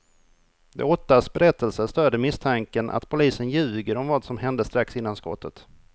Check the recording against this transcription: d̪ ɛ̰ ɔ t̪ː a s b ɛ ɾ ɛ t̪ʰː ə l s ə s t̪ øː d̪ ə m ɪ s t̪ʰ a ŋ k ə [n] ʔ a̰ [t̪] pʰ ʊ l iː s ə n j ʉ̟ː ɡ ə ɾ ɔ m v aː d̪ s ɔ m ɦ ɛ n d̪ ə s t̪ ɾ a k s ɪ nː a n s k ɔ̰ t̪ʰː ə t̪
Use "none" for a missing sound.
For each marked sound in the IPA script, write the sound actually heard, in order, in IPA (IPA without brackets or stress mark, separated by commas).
n, t̪